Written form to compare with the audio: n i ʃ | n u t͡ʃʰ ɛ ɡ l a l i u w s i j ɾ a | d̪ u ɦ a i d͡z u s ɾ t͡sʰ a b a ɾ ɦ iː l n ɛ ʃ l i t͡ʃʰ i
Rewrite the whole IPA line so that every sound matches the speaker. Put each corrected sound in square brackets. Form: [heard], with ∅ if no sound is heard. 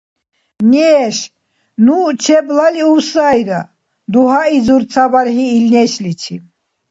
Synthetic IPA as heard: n [ɛ] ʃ | n u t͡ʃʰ ɛ [b] l a l i u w s [a] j ɾ a | d̪ u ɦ a i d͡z u [∅] ɾ t͡sʰ a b a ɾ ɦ iː l n ɛ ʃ l i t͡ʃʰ i